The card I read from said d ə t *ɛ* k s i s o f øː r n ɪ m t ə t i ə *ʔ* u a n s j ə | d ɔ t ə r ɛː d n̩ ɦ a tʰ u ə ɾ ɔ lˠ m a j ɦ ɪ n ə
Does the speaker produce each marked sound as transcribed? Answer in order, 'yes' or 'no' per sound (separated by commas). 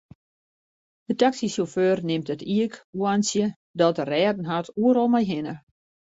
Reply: no, no